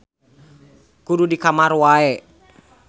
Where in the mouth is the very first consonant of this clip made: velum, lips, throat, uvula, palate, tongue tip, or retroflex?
velum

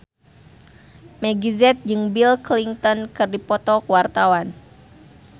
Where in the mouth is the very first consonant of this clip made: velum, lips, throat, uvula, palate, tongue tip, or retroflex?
lips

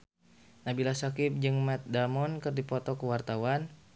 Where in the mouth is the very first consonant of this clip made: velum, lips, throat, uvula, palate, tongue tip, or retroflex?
tongue tip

